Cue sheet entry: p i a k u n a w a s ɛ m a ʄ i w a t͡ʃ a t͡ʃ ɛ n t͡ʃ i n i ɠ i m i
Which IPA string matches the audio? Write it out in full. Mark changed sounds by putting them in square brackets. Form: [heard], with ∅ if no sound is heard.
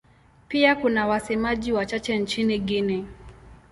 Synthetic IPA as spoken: p i a k u n a w a s ɛ m a ʄ i w a t͡ʃ a t͡ʃ ɛ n t͡ʃ i n i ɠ i [n] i